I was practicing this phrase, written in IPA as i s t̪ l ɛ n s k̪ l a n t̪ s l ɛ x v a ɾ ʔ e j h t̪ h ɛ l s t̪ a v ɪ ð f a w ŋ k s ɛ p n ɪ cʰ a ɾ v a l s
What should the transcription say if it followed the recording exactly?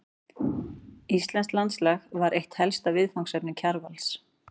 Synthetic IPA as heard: i s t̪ l ɛ n s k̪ l a n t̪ s l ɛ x v a ɾ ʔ e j h t̪ h ɛ l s t̪ a v ɪ ð f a w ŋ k s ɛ p n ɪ cʰ a ɾ v a l s